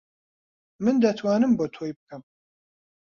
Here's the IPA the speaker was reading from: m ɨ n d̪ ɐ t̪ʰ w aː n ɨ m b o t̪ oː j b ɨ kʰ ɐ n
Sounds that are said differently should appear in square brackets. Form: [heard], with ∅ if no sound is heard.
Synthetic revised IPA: m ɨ n d̪ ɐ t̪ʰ w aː n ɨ m b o [t̪ʰ] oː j b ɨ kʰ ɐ [m]